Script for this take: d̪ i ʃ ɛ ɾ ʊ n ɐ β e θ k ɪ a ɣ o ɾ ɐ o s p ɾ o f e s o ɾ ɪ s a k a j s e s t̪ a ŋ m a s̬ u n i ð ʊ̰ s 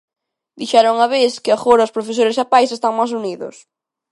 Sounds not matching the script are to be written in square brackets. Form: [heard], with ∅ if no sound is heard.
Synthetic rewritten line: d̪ i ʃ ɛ ɾ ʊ [ŋ] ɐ β e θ k ɪ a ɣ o ɾ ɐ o s p ɾ o f e s o ɾ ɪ s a [p] a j s e s t̪ a ŋ m a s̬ u n i ð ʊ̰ s